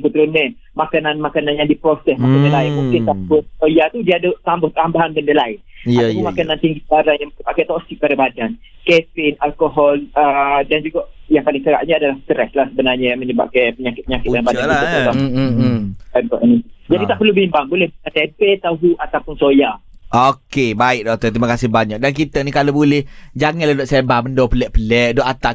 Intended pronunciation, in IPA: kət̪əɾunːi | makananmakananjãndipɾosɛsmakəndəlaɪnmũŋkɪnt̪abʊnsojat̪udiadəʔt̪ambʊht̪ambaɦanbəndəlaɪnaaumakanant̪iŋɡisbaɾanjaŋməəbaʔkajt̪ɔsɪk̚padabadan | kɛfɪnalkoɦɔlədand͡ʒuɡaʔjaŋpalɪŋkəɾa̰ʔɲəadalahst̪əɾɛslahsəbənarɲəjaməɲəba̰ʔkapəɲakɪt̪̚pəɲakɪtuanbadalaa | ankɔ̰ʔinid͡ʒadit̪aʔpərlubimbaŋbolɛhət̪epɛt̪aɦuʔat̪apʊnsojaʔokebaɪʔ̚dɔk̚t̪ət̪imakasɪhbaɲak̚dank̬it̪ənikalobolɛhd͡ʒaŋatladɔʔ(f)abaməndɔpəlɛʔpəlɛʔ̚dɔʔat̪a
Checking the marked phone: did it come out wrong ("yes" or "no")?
yes